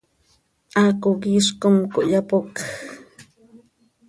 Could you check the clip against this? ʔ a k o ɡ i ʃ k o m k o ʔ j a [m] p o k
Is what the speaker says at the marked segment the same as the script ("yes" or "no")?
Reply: no